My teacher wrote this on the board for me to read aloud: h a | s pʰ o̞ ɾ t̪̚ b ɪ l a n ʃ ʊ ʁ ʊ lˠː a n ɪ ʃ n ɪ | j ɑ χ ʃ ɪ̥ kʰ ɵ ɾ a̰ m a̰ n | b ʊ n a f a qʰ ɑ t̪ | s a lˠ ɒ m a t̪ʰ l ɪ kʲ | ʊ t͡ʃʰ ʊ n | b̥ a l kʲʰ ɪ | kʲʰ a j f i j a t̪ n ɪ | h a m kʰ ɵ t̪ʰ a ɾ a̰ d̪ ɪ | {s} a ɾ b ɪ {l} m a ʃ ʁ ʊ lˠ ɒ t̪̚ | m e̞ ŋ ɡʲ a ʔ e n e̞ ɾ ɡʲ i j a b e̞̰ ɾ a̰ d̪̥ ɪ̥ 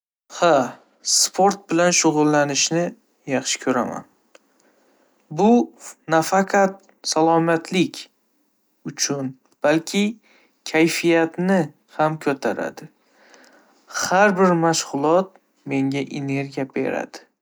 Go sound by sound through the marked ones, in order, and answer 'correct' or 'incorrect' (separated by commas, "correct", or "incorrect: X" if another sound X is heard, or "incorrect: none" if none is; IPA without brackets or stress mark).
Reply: incorrect: h, incorrect: ɾ